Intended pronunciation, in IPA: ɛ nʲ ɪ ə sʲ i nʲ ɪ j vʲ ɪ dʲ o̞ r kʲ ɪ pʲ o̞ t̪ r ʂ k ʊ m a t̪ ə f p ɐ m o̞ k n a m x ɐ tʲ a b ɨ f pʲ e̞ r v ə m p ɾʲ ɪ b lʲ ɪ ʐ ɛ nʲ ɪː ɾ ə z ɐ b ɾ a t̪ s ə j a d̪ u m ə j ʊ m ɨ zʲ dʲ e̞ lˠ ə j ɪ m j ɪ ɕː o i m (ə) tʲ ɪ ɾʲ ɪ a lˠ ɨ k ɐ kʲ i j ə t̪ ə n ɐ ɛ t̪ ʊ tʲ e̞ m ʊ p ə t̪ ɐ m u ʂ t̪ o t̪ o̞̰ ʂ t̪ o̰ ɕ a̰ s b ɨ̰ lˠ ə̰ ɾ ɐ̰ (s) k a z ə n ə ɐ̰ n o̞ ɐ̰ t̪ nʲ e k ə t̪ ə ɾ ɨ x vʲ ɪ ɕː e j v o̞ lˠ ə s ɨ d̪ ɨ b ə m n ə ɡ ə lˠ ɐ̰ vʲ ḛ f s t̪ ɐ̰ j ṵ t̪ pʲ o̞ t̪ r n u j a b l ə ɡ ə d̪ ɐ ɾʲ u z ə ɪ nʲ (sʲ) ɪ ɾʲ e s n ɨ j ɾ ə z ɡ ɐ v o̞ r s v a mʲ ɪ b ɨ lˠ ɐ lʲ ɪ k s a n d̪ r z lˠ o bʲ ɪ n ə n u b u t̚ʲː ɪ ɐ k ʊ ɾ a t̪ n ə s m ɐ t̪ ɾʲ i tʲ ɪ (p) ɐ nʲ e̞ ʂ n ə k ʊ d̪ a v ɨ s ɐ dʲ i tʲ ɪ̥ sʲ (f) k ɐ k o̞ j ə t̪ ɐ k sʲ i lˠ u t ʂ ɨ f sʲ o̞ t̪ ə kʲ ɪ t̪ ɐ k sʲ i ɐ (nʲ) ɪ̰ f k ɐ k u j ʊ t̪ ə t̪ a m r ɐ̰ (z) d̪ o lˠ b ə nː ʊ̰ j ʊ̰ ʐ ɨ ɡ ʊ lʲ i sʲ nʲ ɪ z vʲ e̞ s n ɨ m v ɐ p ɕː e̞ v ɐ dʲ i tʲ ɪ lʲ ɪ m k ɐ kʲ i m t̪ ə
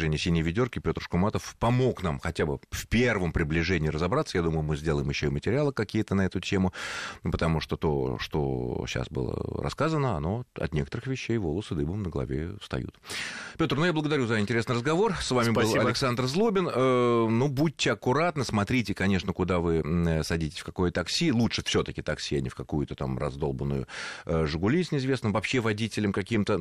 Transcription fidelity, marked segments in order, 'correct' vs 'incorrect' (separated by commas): correct, correct, incorrect, incorrect, correct, correct, correct